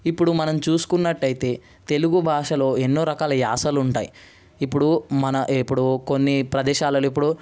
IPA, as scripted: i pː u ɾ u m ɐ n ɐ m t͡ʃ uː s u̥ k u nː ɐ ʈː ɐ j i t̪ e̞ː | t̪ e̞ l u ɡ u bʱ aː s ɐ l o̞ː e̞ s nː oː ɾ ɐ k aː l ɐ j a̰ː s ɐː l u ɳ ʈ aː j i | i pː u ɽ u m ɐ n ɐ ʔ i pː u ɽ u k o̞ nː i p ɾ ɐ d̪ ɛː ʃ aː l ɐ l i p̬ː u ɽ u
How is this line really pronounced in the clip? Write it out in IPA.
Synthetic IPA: i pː u ɽ u m ɐ n ɐ m t͡ʃ uː s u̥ k u nː ɐ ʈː ɐ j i t̪ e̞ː | t̪ e̞ l u ɡ u bʱ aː ʂ ɐ l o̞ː e̞ nː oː ɾ ɐ k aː l ɐ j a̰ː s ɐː l u ɳ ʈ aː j i | i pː u ɽ u m ɐ n ɐ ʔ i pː u ɽ u k o̞ nː i p ɾ ɐ d̪ ɛː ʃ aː l ɐ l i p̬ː u ɽ u